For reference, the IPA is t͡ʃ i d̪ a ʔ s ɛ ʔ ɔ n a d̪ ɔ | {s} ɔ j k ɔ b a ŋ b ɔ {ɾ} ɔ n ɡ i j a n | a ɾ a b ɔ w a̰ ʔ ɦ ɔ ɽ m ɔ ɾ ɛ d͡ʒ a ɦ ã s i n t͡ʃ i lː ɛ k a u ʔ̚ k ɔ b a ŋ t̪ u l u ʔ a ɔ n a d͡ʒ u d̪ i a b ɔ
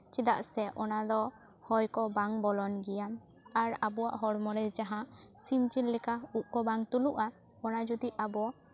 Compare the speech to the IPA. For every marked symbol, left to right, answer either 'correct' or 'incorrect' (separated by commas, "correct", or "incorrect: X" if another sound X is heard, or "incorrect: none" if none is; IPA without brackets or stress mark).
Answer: incorrect: h, incorrect: l